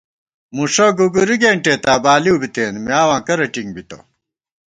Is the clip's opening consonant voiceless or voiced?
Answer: voiced